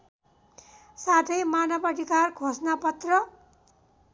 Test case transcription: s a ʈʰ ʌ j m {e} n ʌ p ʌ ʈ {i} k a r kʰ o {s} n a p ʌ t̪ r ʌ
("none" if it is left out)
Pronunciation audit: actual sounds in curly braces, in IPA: a, i, s

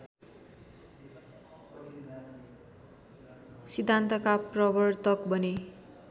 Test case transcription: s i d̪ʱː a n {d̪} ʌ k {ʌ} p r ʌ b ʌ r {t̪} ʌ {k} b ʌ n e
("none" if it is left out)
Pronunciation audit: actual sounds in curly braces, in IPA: t̪, a, t̪, k

